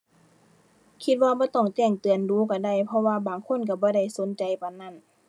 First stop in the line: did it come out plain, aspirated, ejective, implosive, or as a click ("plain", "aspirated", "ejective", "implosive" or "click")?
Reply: aspirated